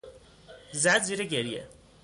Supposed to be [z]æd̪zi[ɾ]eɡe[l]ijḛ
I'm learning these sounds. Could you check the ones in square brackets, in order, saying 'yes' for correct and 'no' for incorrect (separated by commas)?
yes, yes, no